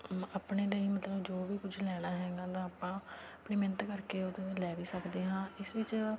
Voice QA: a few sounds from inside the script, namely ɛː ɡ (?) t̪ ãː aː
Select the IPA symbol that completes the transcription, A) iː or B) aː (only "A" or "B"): B